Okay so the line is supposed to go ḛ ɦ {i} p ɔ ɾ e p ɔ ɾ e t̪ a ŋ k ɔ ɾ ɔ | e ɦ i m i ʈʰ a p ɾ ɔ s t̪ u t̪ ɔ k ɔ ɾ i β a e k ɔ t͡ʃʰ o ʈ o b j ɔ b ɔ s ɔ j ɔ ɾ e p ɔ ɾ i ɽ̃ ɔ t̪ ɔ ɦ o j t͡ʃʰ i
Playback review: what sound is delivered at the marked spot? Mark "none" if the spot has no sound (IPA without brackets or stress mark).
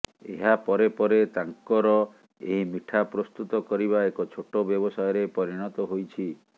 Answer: a